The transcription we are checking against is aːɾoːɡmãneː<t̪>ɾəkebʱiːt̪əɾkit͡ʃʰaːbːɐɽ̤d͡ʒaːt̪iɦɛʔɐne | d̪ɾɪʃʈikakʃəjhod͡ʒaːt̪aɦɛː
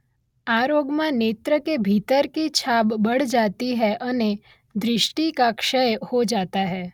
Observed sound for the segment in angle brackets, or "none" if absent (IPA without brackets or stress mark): t̪